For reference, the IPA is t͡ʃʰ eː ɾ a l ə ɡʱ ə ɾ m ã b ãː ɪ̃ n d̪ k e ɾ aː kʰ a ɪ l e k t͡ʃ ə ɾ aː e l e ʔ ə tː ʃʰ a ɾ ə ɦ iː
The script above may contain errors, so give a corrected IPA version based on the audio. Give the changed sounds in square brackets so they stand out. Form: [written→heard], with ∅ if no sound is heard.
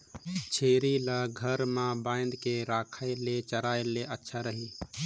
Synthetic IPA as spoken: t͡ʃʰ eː ɾ [a→i] l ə ɡʱ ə ɾ m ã b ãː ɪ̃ n d̪ k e ɾ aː kʰ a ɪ l e [k→∅] t͡ʃ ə ɾ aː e l e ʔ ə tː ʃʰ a ɾ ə ɦ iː